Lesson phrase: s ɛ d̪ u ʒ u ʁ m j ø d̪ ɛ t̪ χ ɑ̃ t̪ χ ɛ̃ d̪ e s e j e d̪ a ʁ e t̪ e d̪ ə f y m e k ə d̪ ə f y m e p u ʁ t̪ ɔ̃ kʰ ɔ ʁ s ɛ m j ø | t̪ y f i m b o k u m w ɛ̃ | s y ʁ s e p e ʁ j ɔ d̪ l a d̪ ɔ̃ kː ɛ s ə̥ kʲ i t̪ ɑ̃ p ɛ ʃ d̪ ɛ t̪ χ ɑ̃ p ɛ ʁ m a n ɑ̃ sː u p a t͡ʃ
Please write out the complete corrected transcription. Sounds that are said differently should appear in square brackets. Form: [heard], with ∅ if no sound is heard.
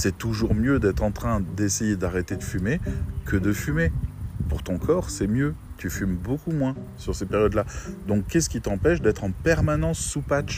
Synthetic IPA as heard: s ɛ [t̪] u ʒ u ʁ m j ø d̪ ɛ t̪ χ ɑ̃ t̪ χ ɛ̃ d̪ e s e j e d̪ a ʁ e t̪ e d̪ ə f y m e k ə d̪ ə f y m e p u ʁ t̪ ɔ̃ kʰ ɔ ʁ s ɛ m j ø | t̪ y f [y] m b o k u m w ɛ̃ | s y ʁ s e p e ʁ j ɔ d̪ l a d̪ ɔ̃ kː ɛ s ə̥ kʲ i t̪ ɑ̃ p ɛ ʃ d̪ ɛ t̪ χ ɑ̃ p ɛ ʁ m a n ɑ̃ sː u p a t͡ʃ